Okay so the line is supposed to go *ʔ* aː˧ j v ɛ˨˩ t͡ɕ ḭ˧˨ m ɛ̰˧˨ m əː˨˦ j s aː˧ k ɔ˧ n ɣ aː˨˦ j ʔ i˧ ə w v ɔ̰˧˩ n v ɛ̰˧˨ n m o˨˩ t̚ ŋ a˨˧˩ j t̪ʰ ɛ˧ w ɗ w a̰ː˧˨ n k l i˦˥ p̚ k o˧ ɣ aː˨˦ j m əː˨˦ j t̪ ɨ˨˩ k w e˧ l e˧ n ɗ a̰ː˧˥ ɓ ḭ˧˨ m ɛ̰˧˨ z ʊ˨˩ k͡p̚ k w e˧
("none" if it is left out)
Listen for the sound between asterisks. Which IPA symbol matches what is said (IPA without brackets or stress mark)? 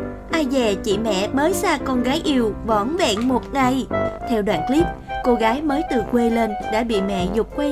ʔ